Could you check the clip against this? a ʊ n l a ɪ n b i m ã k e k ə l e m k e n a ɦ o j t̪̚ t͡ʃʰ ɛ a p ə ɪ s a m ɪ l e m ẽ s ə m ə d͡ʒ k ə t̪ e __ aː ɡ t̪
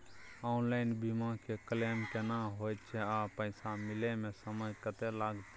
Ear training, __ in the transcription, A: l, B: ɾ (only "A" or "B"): A